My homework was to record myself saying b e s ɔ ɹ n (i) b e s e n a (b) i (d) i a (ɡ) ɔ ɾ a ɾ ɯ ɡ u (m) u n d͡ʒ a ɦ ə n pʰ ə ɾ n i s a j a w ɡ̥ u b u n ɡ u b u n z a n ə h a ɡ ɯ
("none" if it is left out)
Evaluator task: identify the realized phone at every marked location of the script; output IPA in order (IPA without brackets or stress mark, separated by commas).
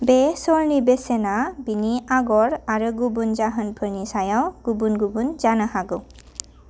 i, b, n, ɡ, b